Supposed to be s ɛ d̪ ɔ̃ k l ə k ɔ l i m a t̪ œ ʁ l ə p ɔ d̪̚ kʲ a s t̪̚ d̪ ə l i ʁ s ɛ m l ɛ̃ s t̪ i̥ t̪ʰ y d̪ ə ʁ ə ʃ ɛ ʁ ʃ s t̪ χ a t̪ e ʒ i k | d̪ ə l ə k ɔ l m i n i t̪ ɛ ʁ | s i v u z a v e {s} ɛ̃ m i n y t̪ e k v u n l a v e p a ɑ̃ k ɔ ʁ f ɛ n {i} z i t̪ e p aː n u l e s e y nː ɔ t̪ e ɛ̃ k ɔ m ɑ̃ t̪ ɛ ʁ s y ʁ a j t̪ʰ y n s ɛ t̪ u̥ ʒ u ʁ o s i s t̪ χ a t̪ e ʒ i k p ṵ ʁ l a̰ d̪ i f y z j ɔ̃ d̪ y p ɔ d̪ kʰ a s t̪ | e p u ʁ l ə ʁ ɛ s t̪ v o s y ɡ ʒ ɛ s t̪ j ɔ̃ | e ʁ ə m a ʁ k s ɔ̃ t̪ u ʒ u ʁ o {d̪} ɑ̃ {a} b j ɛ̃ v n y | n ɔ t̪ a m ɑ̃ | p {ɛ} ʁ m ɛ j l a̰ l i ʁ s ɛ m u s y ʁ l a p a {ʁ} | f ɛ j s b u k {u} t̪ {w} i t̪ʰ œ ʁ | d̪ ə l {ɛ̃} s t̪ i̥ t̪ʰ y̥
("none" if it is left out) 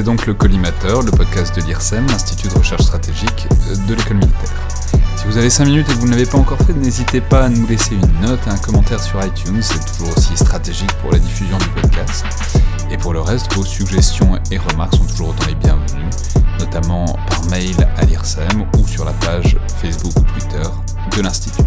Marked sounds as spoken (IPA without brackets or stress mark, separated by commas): s, e, t̪, e, a, ʒ, u, w, ɛ̃